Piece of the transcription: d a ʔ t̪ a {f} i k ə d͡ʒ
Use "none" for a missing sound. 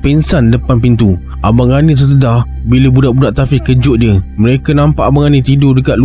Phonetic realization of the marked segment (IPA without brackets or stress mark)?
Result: f